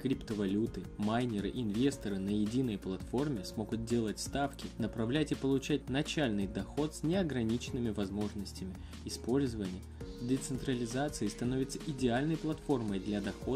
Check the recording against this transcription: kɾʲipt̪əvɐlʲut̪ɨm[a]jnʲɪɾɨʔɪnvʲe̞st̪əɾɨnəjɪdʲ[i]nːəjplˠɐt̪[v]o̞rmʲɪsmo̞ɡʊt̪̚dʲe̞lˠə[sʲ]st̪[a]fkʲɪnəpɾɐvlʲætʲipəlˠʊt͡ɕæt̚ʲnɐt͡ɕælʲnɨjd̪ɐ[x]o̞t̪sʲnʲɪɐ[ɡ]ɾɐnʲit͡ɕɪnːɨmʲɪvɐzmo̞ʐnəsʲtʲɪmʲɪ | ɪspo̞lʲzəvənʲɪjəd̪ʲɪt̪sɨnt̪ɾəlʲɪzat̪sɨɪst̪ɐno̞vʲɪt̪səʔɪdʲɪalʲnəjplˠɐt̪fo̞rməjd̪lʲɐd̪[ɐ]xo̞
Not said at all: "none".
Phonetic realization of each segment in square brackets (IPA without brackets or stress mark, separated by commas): a, i, f, tʲ, a, x, ɡ, ɐ